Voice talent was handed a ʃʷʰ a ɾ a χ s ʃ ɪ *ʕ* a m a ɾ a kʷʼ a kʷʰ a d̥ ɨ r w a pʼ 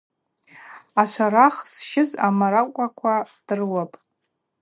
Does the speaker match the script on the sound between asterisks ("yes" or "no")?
no